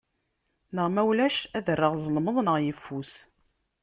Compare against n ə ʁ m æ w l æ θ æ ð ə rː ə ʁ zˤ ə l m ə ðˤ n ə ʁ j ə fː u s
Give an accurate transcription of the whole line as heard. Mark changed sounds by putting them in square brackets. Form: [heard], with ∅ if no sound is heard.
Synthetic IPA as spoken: n ə ʁ m æ w l æ [ʃ] æ ð ə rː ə ʁ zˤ ə l m ə ðˤ n ə ʁ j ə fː u s